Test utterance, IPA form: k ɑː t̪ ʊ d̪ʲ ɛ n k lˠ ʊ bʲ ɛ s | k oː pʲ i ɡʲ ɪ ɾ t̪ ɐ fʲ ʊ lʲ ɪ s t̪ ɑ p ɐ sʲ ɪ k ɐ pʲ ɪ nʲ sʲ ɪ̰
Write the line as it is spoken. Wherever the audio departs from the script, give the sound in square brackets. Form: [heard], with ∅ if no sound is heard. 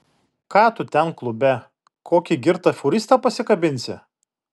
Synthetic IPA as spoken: k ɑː t̪ ʊ [t̪ʲ] ɛ n k lˠ ʊ bʲ ɛ [∅] | k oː [kʲ] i ɡʲ ɪ ɾ t̪ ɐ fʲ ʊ [ɾʲ] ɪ s t̪ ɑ p ɐ sʲ ɪ k ɐ [bʲ] ɪ nʲ sʲ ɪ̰